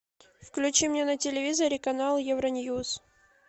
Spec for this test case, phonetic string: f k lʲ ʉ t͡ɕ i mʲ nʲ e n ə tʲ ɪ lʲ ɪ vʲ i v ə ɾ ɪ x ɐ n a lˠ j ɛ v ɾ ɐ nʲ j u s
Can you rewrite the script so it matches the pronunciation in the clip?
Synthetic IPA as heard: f k lʲ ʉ t͡ɕ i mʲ nʲ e n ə tʲ ɪ lʲ ɪ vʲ i z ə ɾ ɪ k ɐ n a lˠ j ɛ v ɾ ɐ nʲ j u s